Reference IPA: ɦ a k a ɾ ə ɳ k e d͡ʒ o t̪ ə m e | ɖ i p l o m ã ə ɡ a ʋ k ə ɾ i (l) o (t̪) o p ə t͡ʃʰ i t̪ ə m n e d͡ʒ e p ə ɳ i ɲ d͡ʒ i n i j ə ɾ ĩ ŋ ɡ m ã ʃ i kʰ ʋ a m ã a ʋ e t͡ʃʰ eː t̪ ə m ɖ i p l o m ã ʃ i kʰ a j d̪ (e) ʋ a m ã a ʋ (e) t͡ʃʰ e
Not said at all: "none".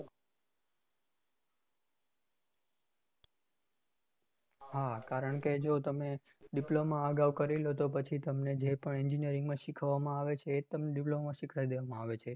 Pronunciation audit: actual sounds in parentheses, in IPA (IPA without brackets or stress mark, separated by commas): l, t̪, e, e